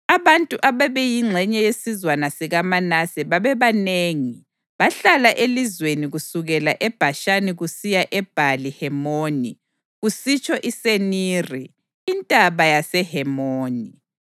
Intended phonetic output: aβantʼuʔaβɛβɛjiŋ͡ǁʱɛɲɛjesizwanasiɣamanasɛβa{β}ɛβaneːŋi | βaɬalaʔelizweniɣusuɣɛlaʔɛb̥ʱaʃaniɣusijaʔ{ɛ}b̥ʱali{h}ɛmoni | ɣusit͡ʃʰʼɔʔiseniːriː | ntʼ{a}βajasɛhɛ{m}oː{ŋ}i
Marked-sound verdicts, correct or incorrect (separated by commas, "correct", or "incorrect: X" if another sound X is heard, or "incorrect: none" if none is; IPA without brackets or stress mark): correct, correct, correct, correct, correct, incorrect: n